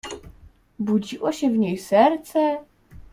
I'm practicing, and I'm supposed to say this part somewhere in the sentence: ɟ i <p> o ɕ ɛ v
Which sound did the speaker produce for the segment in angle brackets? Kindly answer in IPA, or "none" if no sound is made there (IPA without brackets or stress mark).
ʔ